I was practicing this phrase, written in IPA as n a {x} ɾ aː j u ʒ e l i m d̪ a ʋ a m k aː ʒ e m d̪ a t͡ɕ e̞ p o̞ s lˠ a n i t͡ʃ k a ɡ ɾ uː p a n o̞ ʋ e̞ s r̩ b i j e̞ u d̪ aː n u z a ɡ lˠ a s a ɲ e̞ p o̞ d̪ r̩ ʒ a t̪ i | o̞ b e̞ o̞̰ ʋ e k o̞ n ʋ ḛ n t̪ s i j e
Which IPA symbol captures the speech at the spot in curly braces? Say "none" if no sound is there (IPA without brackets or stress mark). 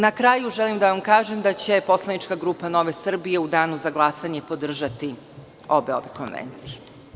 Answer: k